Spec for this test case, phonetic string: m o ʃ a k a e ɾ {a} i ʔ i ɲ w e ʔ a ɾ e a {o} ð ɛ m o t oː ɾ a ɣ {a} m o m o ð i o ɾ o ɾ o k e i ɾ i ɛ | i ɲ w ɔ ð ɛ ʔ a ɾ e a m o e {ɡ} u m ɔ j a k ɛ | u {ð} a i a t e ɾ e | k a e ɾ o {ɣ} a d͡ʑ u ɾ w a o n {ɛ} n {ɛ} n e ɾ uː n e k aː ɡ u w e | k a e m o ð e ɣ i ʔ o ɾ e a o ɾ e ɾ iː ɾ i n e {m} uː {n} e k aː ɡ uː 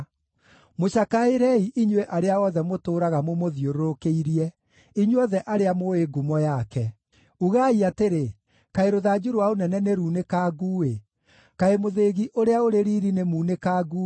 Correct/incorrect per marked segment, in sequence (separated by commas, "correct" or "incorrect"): incorrect, incorrect, correct, correct, incorrect, incorrect, correct, correct, correct, correct